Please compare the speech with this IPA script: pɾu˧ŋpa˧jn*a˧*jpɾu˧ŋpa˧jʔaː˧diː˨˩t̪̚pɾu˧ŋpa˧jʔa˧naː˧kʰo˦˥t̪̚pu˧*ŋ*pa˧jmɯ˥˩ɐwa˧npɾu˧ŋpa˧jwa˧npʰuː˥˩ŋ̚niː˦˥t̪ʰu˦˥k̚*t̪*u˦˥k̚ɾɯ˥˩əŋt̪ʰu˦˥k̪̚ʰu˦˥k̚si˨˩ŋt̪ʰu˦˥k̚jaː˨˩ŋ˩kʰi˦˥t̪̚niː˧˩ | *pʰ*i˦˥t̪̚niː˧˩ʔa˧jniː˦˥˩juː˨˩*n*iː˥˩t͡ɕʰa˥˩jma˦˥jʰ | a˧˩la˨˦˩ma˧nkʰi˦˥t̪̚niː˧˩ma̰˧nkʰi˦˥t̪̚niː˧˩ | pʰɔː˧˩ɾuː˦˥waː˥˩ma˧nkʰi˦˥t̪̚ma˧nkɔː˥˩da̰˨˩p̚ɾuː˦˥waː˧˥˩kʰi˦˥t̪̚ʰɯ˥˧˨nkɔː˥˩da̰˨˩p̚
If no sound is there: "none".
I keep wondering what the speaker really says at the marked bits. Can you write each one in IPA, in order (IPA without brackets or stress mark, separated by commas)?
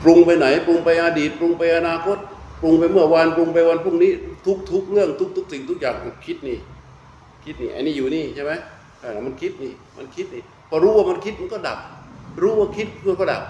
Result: a˩˦, ŋ, t̪ʰ, kʰ, n